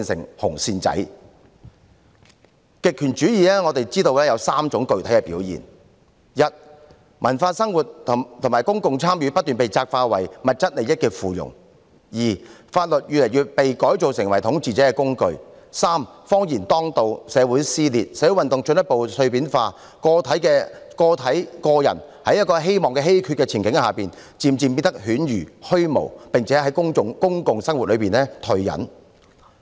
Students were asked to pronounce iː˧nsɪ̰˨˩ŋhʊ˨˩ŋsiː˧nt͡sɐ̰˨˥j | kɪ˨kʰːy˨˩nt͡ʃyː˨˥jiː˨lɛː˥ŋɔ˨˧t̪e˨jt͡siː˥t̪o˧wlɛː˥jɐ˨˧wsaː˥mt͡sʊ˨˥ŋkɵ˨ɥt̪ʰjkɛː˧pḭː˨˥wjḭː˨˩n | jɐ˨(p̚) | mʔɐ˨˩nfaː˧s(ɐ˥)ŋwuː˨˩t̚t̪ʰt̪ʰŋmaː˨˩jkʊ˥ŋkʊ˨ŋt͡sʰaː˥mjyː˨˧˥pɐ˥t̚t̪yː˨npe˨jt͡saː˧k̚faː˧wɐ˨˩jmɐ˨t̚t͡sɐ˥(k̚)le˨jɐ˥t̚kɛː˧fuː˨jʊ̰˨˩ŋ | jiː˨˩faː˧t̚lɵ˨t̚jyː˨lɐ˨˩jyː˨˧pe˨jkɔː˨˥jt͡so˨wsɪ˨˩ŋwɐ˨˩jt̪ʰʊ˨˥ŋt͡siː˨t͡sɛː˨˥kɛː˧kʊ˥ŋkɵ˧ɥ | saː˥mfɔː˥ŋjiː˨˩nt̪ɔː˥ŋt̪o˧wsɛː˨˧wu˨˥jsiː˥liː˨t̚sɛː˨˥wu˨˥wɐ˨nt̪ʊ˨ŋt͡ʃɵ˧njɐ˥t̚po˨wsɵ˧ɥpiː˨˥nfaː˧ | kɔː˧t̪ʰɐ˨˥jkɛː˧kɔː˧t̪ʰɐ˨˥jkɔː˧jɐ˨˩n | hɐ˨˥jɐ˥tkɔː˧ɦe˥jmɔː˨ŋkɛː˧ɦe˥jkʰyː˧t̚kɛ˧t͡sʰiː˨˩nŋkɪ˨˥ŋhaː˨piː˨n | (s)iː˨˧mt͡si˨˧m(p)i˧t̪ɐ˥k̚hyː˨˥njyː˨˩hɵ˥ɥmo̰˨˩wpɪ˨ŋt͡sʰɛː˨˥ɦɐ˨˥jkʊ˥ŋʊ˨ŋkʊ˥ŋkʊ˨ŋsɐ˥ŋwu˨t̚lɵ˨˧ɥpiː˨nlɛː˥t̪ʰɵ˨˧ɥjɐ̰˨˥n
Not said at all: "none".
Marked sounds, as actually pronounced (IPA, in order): t̚, ɐ˥, t̚, t͡s, p

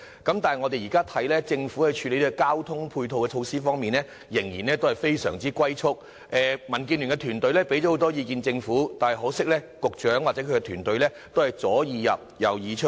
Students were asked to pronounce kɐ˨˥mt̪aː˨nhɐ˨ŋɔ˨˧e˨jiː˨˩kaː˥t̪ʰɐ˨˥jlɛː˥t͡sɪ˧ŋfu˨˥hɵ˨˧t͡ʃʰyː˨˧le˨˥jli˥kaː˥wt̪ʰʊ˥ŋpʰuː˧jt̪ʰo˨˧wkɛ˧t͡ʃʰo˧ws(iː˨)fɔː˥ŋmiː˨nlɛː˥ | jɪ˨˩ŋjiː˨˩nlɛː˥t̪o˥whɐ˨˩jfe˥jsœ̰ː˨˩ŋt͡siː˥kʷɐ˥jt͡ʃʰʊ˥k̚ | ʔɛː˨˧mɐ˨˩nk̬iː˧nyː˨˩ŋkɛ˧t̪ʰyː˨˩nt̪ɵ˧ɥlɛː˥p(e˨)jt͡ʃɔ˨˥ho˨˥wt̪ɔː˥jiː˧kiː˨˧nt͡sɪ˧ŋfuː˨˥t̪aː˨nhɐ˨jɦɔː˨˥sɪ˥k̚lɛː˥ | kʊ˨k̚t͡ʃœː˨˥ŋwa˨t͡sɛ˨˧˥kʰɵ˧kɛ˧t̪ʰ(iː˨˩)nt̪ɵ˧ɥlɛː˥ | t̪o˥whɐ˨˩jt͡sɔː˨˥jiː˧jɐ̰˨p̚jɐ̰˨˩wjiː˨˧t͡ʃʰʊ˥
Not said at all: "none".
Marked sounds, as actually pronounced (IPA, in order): iː˥, e˨˥, yː˨˩

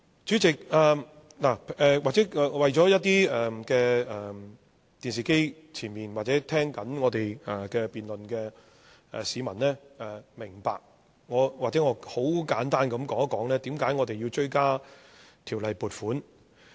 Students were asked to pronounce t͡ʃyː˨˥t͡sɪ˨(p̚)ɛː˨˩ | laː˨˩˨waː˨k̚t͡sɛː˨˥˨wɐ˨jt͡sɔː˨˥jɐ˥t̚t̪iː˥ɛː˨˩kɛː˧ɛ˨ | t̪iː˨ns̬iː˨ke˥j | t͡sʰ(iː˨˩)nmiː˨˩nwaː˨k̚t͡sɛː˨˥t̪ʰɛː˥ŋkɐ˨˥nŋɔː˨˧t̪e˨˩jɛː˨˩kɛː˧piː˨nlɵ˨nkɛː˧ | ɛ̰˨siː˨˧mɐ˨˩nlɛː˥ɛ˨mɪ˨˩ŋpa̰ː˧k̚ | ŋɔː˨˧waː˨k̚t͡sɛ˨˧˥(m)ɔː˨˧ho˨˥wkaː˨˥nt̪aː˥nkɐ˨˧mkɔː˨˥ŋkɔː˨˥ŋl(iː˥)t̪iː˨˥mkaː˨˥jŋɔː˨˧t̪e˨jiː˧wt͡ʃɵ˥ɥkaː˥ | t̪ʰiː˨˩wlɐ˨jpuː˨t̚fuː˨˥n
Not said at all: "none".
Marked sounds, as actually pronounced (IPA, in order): k̚, iː˨˩, ŋ, ɛː˥

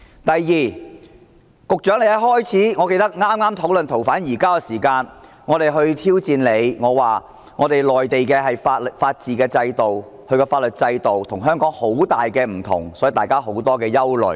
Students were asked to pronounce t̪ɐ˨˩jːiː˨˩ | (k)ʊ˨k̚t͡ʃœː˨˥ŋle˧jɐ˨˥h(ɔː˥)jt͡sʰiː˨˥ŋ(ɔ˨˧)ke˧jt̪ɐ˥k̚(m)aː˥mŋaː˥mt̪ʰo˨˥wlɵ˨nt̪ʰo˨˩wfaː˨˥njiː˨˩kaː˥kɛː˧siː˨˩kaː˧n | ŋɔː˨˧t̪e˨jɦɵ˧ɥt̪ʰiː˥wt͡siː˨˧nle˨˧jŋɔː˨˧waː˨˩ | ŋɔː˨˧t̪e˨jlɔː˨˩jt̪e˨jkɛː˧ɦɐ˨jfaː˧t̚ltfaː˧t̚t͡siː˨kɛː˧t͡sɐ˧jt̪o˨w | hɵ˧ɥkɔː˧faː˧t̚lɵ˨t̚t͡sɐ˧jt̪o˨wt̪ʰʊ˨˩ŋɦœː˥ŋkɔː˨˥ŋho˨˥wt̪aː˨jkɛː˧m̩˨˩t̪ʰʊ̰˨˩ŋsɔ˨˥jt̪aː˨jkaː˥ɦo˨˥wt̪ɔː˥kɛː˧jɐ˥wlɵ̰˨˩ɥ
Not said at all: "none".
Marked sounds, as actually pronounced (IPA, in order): k, ɔː˥, ɔ˨˧, ŋ

